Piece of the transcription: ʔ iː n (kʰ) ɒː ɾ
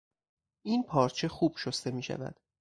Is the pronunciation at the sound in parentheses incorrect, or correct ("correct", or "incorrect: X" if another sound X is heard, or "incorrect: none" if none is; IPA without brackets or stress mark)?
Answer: incorrect: pʰ